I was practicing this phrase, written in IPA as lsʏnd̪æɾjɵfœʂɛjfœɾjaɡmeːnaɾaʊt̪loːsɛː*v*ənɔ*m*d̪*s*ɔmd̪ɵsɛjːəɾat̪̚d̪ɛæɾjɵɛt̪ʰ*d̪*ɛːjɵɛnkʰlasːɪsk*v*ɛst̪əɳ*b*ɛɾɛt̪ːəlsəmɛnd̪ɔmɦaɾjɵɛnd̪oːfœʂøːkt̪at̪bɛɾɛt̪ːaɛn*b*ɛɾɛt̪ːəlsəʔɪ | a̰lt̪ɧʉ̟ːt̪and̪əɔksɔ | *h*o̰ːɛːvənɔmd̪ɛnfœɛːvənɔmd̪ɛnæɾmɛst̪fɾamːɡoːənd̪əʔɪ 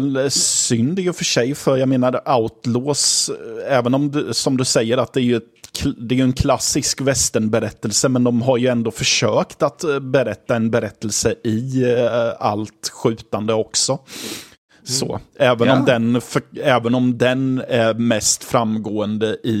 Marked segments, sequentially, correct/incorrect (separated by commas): correct, correct, correct, correct, correct, correct, correct, incorrect